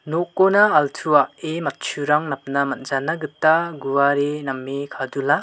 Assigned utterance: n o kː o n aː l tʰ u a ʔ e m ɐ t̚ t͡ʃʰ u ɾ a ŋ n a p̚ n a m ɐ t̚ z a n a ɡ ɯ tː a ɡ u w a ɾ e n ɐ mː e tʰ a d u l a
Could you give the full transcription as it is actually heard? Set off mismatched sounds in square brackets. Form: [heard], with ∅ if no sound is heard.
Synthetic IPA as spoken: n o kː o n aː l tʰ u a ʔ e m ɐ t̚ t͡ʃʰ u ɾ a ŋ n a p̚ n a m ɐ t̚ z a n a ɡ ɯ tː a ɡ u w a ɾ e n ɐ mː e [kʰ] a d u l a